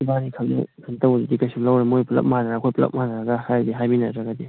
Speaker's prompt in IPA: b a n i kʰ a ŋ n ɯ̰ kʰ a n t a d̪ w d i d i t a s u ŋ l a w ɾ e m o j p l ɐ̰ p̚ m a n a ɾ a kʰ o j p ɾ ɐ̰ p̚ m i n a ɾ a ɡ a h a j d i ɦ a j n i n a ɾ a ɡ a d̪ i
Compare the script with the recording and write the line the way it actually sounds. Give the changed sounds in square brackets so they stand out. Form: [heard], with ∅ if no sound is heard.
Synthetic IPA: b a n i kʰ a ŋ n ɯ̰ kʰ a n t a [∅] w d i d i [k] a s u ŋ l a w ɾ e m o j p l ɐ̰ p̚ m a n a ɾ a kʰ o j p [l] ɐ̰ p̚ m [a] n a ɾ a ɡ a h a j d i ɦ a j [m] i n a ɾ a ɡ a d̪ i